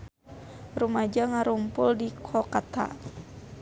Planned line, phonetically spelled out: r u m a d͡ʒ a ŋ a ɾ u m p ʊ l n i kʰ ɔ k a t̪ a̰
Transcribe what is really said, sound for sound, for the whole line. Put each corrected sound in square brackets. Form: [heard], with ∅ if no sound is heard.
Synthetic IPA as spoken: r u m a d͡ʒ a ŋ a ɾ u m p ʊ l [d] i kʰ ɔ k a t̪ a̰

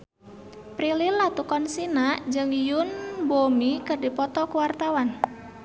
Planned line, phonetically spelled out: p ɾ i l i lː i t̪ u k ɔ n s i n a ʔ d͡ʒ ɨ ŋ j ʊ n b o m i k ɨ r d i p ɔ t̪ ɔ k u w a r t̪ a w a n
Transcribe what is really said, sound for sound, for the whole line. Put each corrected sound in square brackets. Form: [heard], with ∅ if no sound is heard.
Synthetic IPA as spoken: p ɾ i l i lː [a] t̪ u k ɔ n s i n a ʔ d͡ʒ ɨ ŋ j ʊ n b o m i k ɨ r d i p ɔ t̪ ɔ k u w a r t̪ a w a n

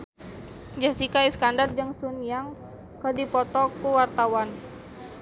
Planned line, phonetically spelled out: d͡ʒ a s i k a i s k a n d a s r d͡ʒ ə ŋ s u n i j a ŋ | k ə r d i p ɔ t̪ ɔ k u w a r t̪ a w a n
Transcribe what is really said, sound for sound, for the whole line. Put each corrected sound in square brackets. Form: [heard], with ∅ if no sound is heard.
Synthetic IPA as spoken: d͡ʒ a s i k a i s k a n d a [∅] r d͡ʒ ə ŋ s u n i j a ŋ | k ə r d i p ɔ t̪ ɔ k u w a r t̪ a w a n

